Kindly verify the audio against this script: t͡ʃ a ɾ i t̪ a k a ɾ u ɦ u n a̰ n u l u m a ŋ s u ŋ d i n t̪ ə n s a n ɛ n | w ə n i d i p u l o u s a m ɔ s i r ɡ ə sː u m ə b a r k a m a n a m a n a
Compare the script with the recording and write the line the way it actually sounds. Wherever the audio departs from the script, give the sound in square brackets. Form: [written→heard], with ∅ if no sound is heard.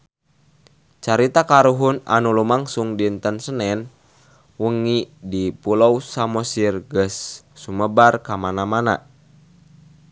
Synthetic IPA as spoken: t͡ʃ a ɾ i t̪ a k a ɾ u ɦ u n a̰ n u l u m a ŋ s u ŋ d i n t̪ ə n s [a→ə] n ɛ n | w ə [n→ŋ] i d i p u l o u s a m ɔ s i r ɡ ə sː u m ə b a r k a m a n a m a n a